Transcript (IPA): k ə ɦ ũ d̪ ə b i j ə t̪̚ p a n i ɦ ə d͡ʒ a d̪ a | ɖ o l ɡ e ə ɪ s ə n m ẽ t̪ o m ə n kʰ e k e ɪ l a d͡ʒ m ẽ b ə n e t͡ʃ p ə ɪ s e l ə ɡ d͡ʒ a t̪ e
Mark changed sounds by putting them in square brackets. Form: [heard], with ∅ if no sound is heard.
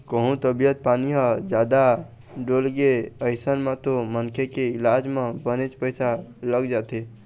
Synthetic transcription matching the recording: k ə ɦ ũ [t̪] ə b i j ə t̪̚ p a n i ɦ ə d͡ʒ a d̪ a | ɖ o l ɡ e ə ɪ s ə n m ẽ t̪ o m ə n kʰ e k e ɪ l a d͡ʒ m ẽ b ə n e t͡ʃ p ə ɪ s [a] l ə ɡ d͡ʒ a t̪ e